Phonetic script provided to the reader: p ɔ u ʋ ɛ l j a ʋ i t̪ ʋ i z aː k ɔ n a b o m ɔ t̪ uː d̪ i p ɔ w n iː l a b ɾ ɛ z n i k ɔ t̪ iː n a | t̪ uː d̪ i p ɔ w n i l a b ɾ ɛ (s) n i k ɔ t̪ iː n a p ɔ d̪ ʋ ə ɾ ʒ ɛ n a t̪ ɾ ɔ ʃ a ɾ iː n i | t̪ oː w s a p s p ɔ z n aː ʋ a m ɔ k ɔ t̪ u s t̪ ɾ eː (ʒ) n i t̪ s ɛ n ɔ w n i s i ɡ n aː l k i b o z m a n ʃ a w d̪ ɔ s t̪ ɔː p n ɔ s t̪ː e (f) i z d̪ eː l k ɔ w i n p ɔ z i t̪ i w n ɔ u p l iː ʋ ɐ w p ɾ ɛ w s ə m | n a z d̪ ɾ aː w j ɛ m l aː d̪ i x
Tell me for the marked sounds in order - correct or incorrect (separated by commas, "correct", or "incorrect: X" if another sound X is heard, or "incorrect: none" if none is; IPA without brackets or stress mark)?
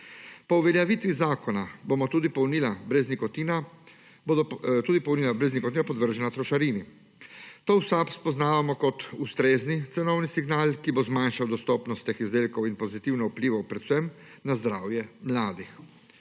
incorrect: z, incorrect: z, incorrect: x